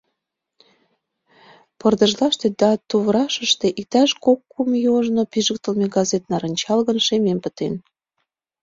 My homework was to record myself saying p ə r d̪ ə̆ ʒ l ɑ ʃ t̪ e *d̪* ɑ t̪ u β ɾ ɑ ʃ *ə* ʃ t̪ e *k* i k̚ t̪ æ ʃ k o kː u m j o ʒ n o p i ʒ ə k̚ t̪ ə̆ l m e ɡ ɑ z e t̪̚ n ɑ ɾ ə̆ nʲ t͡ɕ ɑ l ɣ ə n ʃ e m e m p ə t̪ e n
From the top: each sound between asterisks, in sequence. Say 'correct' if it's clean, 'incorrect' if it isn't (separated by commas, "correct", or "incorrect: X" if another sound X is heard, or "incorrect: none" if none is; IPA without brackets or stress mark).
correct, correct, incorrect: ʔ